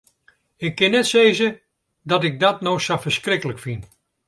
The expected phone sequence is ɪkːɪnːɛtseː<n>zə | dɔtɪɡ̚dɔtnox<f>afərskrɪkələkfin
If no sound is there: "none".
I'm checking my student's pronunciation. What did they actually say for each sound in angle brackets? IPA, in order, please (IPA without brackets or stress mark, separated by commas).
none, s